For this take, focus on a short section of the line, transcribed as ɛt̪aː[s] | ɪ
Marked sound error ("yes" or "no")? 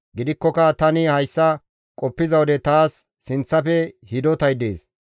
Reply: yes